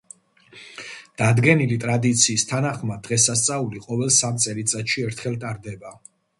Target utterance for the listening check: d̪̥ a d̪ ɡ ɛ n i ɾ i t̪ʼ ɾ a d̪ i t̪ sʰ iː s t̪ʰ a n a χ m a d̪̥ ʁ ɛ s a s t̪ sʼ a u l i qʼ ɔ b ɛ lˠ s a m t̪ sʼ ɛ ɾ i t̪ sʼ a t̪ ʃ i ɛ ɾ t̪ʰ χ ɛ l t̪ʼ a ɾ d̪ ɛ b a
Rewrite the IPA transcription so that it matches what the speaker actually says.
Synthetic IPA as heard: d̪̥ a d̪ ɡ ɛ n i l i t̪ʼ ɾ a d̪ i t̪ sʰ iː s t̪ʰ a n a χ m a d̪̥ ʁ ɛ s a s t̪ sʼ a u l i qʼ ɔ v ɛ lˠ s a m t̪ sʼ ɛ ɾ i t̪ sʼ a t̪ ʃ i ɛ ɾ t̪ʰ χ ɛ l t̪ʼ a ɾ d̪ ɛ b a